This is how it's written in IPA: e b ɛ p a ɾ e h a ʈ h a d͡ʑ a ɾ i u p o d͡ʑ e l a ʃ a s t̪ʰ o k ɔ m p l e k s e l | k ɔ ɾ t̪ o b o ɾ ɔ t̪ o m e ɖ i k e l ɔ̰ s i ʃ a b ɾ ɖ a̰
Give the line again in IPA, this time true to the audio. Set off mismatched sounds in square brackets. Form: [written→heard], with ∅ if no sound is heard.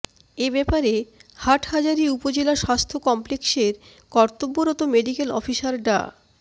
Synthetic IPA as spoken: e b ɛ p a ɾ e h a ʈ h a d͡ʑ a ɾ i u p o d͡ʑ e l a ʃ a s t̪ʰ o k ɔ m p l e k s e [l→ɾ] | k ɔ ɾ t̪ o [b→bː] o ɾ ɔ t̪ o m e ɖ i k e l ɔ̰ [s→f] i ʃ a [b→∅] ɾ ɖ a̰